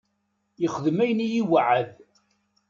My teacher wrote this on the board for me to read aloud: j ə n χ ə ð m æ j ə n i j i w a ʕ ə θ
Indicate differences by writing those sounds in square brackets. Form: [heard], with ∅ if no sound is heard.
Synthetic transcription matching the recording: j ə [∅] χ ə ð m æ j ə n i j i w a ʕ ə [ð]